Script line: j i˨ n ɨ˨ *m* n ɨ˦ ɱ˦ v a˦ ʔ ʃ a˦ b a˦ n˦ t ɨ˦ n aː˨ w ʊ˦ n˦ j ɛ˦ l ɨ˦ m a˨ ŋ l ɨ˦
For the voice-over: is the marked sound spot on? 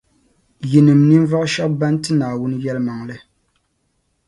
yes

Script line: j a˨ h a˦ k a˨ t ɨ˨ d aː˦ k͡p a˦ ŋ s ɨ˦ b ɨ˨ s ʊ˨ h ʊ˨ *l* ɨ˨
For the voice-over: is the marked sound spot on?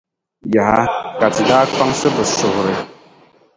no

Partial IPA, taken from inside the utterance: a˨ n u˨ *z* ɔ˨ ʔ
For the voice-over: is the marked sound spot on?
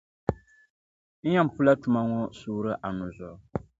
yes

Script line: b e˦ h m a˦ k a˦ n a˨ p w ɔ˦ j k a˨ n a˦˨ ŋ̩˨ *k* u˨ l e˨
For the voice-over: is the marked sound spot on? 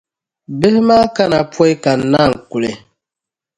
yes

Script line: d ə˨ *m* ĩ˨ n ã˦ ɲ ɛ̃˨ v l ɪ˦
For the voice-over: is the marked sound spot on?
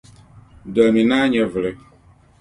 yes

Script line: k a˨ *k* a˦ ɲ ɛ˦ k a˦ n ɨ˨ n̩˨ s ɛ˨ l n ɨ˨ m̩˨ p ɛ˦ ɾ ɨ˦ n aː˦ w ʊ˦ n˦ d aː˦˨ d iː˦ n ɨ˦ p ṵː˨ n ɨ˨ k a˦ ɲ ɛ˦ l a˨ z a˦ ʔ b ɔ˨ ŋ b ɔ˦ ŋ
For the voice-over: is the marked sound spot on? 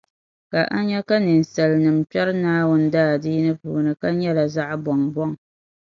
no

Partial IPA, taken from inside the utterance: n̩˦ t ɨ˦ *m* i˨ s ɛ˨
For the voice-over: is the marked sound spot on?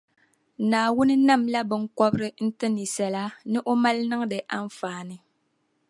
no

